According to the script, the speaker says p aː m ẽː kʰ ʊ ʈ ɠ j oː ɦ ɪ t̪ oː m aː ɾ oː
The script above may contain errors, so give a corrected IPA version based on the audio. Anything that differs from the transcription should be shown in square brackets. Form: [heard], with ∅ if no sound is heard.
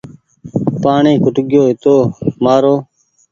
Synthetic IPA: p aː [ɳ] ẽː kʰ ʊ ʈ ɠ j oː ɦ ɪ t̪ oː m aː ɾ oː